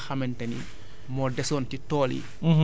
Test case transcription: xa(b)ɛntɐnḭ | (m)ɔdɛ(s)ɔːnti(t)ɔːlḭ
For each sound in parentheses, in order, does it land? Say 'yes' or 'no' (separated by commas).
no, yes, yes, yes